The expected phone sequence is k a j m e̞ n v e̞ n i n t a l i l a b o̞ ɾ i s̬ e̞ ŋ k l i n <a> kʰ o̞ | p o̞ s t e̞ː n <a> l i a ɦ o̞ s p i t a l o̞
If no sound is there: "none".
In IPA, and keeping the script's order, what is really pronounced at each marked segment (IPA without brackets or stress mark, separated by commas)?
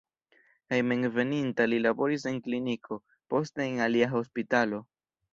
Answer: i, a